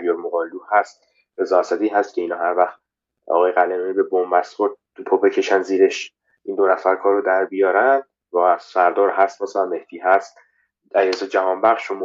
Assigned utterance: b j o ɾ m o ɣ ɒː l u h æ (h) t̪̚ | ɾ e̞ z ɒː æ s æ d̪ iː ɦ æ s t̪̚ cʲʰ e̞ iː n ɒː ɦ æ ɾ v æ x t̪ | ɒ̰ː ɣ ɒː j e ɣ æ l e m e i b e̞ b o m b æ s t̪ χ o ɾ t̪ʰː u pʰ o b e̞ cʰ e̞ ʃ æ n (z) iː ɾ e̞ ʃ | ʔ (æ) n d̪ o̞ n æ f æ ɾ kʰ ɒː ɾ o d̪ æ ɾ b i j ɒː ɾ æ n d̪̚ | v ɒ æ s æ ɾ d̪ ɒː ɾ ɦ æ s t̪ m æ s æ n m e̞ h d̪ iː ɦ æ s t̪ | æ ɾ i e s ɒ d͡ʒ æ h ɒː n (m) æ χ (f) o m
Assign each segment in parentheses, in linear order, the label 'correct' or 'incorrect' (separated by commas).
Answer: incorrect, correct, incorrect, incorrect, incorrect